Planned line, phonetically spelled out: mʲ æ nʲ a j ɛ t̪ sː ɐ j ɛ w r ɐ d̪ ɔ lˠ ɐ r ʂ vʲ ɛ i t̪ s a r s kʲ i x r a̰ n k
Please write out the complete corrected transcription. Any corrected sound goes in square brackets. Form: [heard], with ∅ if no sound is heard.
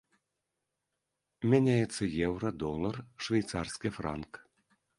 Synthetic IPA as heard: mʲ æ nʲ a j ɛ t̪ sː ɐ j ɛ w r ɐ d̪ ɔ lˠ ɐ r ʂ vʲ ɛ [j] t̪ s a r s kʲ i [f] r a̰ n k